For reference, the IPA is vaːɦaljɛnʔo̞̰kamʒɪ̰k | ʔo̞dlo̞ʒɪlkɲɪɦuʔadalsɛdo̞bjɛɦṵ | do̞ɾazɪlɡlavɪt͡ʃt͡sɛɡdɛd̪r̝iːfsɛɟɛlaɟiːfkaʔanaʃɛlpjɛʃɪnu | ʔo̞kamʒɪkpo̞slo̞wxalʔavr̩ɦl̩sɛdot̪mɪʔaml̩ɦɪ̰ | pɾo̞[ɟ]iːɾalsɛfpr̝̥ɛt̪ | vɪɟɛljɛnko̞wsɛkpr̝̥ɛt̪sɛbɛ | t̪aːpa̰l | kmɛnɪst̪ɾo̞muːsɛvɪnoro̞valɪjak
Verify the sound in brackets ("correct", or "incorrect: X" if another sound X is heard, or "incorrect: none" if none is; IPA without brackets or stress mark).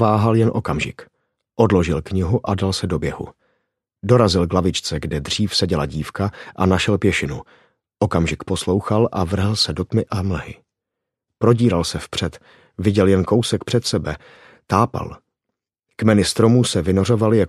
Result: correct